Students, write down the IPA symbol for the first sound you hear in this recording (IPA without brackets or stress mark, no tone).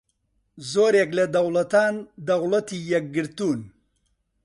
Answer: z